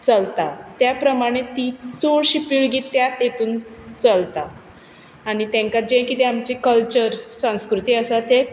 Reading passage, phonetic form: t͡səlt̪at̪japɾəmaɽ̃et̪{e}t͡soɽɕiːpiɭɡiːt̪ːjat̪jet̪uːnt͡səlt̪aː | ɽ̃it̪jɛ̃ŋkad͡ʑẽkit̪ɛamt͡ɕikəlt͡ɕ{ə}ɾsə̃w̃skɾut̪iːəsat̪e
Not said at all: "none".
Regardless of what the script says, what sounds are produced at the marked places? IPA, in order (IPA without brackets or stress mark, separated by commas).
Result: i, ə